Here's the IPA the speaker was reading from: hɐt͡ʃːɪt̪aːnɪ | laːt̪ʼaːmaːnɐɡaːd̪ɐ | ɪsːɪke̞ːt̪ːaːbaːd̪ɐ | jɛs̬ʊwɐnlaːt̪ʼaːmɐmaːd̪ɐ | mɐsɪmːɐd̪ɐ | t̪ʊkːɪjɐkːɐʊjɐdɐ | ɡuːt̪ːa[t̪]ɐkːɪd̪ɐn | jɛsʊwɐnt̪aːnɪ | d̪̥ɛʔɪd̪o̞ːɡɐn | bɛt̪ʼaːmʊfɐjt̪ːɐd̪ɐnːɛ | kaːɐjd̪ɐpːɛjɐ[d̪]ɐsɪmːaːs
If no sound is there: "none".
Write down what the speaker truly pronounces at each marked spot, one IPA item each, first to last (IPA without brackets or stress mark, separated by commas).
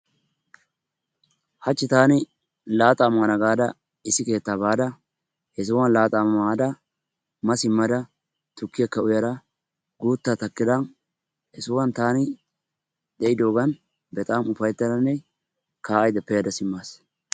t̪, d̪